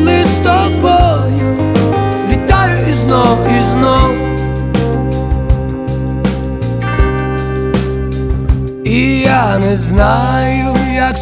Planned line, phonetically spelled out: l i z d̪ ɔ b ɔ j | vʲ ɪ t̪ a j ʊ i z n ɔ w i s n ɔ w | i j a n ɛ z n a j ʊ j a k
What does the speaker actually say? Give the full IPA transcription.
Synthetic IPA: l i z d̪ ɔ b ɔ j | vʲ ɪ t̪ a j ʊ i z n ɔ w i z n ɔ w | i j a n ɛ z n a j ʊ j a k